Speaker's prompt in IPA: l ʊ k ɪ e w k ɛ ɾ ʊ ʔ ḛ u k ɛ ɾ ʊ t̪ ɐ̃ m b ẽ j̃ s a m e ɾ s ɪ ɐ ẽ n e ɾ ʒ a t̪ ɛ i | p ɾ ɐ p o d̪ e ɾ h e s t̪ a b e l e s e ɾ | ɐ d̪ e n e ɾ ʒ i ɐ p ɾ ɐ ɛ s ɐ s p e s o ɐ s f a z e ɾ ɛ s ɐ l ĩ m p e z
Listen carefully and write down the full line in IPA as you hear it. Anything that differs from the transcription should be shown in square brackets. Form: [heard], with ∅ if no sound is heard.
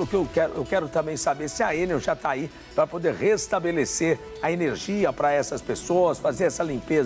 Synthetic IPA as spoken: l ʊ k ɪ e w k ɛ ɾ ʊ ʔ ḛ [w] k ɛ ɾ ʊ t̪ ɐ̃ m b ẽ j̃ s a [b] e ɾ s ɪ ɐ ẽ n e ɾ ʒ a t̪ [a] i | p ɾ ɐ p o d̪ e ɾ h e s t̪ a b e l e s e ɾ | ɐ [∅] e n e ɾ ʒ i ɐ p ɾ ɐ ɛ s ɐ s p e s o ɐ s f a z e ɾ ɛ s ɐ l ĩ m p e z